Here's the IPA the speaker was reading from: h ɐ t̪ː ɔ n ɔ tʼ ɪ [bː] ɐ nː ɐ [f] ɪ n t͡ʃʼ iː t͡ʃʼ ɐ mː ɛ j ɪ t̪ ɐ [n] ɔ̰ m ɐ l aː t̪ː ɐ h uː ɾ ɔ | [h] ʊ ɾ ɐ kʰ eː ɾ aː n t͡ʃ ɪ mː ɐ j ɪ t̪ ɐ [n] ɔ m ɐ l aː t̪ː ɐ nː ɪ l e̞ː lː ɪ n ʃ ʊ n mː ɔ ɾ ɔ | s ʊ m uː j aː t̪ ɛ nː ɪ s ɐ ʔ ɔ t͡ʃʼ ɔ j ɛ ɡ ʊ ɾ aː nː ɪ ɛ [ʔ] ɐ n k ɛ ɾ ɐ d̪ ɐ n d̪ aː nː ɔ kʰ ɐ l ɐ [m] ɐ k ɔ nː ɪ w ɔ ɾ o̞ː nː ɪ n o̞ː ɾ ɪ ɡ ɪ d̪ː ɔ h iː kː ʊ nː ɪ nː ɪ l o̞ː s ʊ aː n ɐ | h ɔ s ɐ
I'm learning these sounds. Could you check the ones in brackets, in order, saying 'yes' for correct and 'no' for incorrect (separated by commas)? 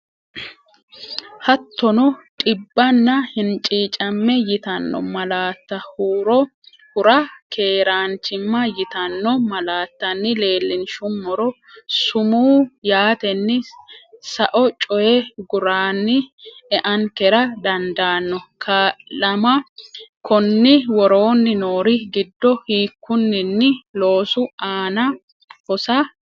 yes, no, no, yes, no, yes, yes